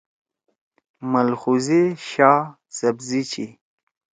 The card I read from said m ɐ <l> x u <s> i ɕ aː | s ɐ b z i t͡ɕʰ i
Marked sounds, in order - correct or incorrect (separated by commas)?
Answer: correct, incorrect